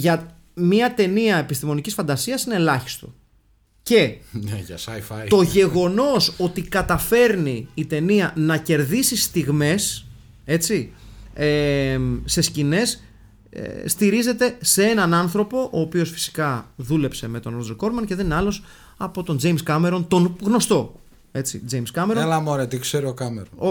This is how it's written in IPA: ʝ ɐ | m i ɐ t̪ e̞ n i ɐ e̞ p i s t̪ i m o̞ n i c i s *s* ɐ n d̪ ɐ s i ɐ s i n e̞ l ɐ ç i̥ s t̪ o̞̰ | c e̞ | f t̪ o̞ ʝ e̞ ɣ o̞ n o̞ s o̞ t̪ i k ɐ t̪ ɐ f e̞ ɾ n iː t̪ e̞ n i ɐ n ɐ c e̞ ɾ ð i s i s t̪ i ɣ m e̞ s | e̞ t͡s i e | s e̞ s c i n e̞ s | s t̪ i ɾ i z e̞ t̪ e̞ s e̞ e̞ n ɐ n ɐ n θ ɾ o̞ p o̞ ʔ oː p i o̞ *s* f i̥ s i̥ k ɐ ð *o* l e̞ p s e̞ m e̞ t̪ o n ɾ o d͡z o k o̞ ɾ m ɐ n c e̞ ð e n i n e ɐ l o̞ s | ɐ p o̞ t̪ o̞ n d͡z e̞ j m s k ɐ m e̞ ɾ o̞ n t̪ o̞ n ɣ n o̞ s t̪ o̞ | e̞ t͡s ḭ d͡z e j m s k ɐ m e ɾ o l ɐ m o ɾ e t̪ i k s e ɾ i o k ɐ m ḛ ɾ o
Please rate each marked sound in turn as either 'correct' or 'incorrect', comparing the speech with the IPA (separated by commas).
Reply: incorrect, correct, incorrect